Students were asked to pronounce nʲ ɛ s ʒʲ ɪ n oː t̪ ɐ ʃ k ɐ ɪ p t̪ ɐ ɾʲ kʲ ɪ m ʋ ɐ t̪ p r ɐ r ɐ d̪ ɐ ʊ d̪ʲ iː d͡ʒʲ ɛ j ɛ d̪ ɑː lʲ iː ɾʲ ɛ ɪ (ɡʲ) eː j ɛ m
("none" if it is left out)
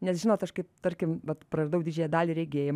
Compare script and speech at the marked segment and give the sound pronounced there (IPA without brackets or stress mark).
ɡʲ